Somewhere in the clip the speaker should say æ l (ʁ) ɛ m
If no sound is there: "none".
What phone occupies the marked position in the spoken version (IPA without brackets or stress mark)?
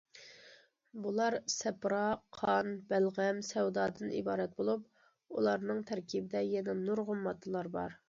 ʁ